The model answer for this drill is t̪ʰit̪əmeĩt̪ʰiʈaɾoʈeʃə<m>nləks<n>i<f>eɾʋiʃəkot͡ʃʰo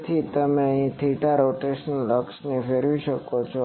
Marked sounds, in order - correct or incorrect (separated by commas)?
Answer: incorrect, correct, correct